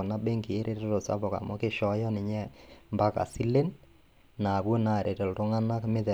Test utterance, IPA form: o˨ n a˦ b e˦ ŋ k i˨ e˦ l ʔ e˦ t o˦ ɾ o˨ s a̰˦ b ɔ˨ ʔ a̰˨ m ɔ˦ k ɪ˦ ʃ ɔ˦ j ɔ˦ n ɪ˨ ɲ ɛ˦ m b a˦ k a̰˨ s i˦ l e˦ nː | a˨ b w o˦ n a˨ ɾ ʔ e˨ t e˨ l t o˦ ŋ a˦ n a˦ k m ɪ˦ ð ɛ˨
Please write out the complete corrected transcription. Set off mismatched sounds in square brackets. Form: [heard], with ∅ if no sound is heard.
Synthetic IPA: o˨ n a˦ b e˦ ŋ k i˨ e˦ [ɾ] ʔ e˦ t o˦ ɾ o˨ s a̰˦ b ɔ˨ [k] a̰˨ m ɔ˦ k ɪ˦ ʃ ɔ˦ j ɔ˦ n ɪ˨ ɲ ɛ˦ m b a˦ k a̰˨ s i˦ l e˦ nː | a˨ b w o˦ n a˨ ɾ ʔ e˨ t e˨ l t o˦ ŋ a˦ n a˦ k m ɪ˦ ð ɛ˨